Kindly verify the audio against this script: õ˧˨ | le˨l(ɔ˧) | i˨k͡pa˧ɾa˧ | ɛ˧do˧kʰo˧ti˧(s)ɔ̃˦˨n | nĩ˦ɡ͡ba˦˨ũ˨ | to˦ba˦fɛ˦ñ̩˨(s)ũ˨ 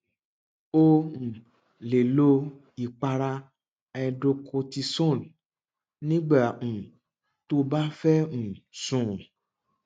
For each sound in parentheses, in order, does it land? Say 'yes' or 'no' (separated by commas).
no, yes, yes